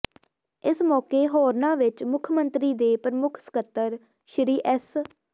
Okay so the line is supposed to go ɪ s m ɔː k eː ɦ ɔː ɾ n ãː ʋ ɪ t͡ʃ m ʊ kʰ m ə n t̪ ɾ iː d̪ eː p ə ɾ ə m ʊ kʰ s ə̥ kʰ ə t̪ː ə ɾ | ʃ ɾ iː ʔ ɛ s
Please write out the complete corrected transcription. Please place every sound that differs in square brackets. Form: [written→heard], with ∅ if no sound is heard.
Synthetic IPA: ɪ s m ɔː k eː ɦ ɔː ɾ n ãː ʋ ɪ t͡ʃ m ʊ kʰ m ə n t̪ ɾ iː d̪ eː p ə ɾ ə m ʊ kʰ s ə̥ [kʰ→k] ə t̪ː ə ɾ | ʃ ɾ iː ʔ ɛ s